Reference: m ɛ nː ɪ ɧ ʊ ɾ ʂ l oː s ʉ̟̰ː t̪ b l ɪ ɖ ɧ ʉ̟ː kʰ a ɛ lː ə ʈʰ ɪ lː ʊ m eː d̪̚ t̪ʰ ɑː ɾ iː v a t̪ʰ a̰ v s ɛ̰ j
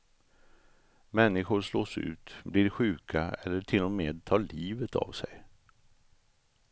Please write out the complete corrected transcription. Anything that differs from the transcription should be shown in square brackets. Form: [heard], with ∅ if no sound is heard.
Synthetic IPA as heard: m ɛ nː ɪ ɧ ʊ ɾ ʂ l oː s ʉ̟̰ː t̪ b l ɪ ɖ ɧ ʉ̟ː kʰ a ɛ lː ə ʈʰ ɪ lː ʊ m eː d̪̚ t̪ʰ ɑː [ɭ] iː v [ə] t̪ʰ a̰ v s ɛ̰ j